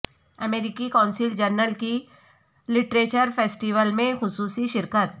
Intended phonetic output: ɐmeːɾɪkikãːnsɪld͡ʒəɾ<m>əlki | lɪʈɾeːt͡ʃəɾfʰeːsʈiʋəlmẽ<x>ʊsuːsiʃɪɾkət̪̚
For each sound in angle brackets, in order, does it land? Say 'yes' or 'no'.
no, yes

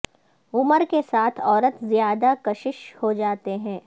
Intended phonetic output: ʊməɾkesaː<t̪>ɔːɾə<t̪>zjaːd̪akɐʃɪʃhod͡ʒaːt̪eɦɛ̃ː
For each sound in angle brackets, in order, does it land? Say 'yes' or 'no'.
no, yes

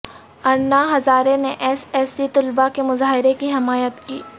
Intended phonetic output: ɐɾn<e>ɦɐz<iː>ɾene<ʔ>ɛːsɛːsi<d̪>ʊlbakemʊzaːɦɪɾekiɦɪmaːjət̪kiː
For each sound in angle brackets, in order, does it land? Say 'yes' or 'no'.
no, no, yes, no

